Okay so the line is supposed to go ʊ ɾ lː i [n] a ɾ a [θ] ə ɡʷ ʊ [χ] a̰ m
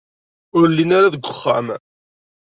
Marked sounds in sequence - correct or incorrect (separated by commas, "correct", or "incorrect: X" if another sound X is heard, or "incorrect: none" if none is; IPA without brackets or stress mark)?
correct, incorrect: ð, incorrect: χː